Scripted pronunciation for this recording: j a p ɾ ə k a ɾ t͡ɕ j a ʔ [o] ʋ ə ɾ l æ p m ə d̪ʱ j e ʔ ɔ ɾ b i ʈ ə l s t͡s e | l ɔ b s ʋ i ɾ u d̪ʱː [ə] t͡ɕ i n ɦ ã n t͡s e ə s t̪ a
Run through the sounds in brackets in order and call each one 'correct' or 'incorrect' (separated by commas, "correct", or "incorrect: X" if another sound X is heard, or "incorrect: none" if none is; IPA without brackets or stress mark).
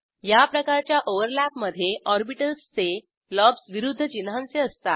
correct, correct